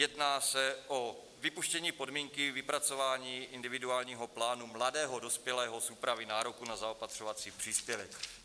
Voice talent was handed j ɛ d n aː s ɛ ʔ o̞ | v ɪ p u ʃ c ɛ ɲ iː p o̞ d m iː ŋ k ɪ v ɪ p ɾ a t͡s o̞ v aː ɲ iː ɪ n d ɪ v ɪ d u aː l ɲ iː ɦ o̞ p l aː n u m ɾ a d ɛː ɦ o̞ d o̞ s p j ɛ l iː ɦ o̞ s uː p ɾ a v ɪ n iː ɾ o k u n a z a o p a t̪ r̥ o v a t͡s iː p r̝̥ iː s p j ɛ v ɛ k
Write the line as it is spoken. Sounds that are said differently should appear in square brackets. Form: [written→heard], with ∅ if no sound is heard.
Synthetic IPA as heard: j ɛ d n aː s ɛ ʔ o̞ | v ɪ p u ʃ c ɛ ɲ iː p o̞ d m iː ŋ k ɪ v ɪ p ɾ a t͡s o̞ v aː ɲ iː ɪ n d ɪ v ɪ d u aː l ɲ iː ɦ o̞ p l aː n u m [ɾ→l] a d ɛː ɦ o̞ d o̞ s p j ɛ l [iː→ɛː] ɦ o̞ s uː p ɾ a v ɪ n [iː→aː] ɾ o k u n a z a o p a t̪ r̥ o v a t͡s iː p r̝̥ iː s p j ɛ v ɛ k